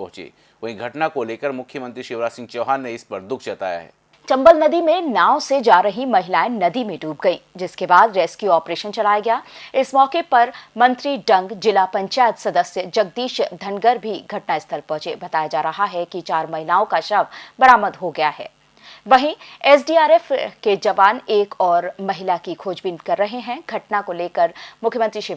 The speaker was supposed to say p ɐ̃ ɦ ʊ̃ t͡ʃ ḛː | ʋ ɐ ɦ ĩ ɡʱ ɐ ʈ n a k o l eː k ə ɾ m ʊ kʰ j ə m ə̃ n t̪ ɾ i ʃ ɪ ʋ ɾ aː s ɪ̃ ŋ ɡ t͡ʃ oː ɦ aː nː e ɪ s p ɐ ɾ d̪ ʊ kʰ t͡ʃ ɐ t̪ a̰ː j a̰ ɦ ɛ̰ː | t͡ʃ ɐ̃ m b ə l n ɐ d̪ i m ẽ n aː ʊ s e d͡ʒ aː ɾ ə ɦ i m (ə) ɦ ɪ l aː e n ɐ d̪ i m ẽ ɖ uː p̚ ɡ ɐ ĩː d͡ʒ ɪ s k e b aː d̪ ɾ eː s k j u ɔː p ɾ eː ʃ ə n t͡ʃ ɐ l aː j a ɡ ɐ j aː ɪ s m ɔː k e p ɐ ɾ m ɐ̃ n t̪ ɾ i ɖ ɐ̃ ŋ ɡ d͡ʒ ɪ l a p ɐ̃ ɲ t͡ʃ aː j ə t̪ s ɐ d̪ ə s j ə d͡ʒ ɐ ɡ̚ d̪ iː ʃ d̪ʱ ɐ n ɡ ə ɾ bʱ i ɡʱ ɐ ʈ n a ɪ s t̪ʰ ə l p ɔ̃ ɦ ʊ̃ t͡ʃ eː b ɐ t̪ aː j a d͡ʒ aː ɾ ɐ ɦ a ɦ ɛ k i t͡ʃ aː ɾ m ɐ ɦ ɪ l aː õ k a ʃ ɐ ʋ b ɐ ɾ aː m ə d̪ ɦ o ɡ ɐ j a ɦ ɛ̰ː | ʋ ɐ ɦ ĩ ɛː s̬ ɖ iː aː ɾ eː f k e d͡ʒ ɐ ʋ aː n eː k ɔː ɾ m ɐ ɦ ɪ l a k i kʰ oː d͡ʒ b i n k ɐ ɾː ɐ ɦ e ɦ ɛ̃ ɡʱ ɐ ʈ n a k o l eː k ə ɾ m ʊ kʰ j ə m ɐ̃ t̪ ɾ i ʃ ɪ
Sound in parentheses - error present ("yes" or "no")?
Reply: yes